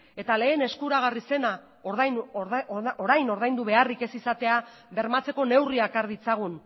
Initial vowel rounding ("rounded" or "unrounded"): unrounded